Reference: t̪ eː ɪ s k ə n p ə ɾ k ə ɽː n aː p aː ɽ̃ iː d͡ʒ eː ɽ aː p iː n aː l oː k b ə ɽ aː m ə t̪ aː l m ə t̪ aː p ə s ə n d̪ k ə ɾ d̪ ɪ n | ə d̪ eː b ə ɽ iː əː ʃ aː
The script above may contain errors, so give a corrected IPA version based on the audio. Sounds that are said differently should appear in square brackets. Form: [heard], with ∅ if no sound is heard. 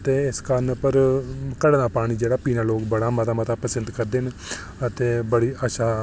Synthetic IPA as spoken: t̪ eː ɪ s k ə n p ə ɾ k ə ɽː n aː p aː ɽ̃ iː d͡ʒ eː ɽ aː p iː n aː l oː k b ə ɽ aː m ə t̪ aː [∅] m ə t̪ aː p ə s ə n d̪ k ə ɾ d̪ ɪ n | ə [t̪] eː b ə ɽ iː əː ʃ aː